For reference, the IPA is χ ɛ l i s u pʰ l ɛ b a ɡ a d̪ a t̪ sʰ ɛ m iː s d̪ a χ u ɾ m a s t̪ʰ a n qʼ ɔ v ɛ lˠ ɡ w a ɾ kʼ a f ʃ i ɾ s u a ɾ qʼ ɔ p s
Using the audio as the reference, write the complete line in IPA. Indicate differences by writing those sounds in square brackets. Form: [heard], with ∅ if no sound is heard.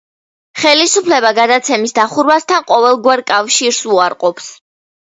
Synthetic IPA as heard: χ ɛ l i s u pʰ l ɛ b a ɡ a d̪ a t̪ sʰ ɛ m [i] s d̪ a χ u ɾ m a s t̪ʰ a n qʼ ɔ v ɛ lˠ ɡ w a ɾ kʼ a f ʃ i ɾ s u a ɾ qʼ ɔ p s